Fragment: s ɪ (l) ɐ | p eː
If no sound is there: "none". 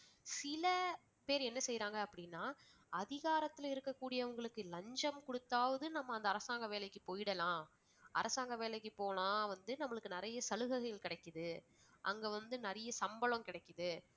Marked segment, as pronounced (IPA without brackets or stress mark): l